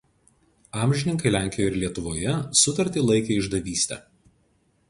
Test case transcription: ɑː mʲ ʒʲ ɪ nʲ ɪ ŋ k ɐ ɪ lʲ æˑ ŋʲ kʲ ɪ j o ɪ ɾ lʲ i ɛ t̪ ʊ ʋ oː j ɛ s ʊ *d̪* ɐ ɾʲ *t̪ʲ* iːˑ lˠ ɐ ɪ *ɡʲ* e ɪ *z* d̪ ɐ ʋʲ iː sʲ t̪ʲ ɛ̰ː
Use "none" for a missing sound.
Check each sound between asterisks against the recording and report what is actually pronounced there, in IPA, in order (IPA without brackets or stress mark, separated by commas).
t̪, t̪ʲ, kʲ, ʒ